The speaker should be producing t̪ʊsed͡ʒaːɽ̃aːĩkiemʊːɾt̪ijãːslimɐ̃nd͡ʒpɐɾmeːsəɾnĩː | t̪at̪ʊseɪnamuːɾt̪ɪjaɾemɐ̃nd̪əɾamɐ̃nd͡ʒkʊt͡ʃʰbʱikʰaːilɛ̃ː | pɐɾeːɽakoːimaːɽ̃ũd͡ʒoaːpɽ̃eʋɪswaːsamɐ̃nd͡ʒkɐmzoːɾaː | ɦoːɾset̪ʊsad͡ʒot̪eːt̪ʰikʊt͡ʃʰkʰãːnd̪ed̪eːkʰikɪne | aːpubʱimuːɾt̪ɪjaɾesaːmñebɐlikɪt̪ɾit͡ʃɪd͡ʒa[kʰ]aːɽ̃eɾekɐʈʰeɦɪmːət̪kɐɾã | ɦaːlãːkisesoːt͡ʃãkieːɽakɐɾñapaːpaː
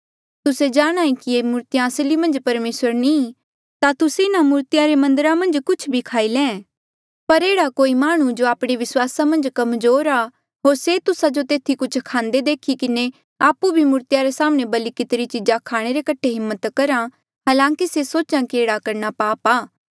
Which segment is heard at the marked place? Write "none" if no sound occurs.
kʰ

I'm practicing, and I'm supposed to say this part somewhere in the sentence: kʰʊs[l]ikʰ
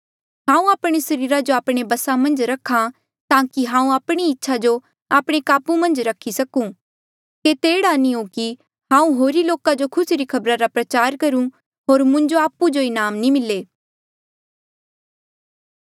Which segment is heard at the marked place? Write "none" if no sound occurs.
ɾ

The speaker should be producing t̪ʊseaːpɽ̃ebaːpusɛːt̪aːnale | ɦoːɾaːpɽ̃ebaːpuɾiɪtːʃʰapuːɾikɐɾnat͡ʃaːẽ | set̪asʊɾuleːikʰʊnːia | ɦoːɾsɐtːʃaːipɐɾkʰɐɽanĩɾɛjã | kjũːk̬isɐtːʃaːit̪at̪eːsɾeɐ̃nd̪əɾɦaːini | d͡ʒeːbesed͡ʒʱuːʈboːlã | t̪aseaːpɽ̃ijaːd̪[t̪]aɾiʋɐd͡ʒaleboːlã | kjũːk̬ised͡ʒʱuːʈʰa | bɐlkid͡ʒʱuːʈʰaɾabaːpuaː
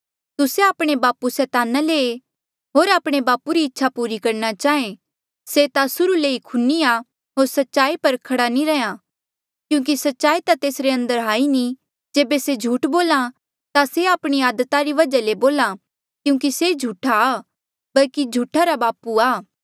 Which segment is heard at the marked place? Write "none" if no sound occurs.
t̪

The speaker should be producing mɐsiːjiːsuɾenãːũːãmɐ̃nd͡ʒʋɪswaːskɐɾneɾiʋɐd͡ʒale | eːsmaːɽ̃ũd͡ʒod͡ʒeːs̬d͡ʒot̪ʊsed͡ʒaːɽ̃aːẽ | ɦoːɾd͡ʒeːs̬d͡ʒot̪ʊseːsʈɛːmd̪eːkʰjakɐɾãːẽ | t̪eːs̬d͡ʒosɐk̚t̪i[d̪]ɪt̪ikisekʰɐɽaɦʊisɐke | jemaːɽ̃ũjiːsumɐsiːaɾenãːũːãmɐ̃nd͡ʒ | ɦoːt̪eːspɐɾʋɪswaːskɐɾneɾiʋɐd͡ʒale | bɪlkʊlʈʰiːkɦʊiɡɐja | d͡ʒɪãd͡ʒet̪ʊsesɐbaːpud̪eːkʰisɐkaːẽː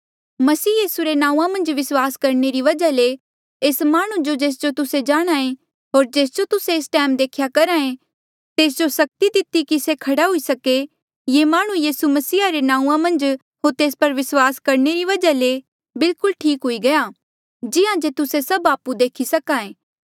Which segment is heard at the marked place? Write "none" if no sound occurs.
d̪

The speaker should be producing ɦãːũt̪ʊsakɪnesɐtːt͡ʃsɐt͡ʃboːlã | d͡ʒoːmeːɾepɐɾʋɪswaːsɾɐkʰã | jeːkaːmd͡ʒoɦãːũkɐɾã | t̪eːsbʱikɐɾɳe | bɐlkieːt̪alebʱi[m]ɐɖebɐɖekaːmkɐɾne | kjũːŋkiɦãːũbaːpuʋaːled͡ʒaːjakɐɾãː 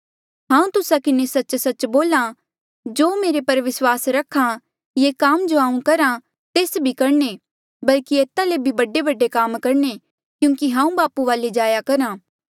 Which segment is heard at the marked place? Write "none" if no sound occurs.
b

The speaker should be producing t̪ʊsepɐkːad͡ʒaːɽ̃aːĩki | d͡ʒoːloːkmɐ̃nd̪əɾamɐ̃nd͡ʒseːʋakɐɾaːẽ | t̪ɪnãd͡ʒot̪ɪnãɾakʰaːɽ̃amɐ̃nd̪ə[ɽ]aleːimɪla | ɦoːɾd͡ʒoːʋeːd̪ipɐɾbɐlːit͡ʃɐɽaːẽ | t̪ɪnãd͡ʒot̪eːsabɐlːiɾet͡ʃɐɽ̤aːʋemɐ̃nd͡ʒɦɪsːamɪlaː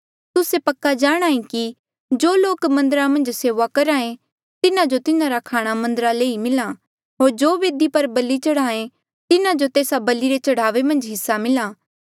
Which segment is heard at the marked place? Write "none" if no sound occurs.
ɾ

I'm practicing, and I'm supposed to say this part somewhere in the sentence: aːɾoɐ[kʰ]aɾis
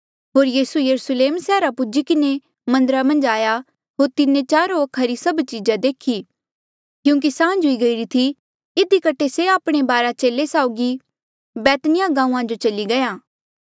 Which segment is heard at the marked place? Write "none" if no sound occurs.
kʰ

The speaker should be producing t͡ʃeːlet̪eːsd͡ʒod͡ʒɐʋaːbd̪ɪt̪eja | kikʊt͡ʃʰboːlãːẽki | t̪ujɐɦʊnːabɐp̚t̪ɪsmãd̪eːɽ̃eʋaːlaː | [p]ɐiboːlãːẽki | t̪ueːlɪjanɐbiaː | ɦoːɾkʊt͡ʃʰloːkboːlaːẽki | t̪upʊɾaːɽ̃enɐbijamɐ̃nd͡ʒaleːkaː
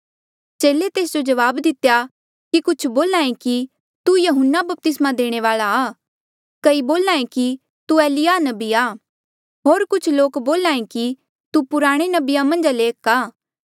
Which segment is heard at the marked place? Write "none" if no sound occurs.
k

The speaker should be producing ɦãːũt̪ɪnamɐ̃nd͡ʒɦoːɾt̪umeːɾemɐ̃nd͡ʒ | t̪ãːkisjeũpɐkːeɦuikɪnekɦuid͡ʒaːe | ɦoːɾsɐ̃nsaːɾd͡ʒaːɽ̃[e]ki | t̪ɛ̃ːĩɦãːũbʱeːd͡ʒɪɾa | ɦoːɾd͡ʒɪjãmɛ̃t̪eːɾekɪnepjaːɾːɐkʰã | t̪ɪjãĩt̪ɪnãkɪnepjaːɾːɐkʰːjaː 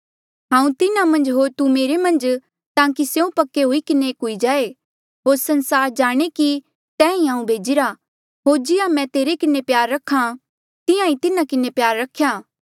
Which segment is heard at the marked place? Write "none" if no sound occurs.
e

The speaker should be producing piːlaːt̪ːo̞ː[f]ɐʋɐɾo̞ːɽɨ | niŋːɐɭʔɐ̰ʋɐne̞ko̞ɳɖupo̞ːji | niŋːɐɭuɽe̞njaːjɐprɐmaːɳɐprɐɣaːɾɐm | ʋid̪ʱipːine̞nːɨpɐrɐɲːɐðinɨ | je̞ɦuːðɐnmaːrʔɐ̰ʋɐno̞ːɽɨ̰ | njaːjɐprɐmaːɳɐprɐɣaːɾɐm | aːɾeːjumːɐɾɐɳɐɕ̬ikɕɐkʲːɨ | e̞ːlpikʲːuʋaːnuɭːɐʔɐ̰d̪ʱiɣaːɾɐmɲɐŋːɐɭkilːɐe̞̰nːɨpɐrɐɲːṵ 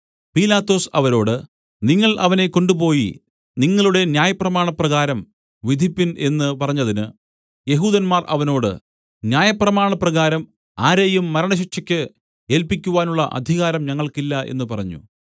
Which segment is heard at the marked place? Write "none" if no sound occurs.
s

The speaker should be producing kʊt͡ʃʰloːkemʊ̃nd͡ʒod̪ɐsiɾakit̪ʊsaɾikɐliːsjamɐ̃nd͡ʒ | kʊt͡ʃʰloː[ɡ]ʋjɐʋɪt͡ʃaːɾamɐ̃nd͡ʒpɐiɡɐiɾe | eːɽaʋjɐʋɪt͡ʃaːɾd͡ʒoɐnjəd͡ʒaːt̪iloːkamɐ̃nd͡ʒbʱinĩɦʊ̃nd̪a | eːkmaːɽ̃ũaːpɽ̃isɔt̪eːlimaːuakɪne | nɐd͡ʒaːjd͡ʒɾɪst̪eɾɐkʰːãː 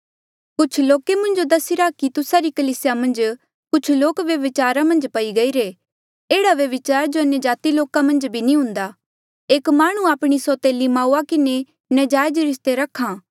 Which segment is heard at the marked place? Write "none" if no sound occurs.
k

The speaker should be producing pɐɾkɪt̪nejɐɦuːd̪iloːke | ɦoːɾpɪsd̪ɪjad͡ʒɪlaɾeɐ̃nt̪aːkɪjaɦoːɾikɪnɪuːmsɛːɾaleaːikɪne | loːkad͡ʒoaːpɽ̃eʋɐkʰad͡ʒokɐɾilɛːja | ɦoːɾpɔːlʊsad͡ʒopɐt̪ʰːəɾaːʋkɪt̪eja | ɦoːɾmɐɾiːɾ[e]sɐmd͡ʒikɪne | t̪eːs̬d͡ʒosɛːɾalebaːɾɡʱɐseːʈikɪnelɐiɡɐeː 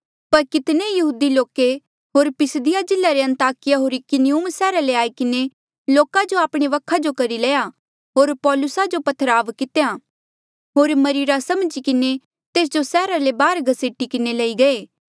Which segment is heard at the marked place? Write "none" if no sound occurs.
a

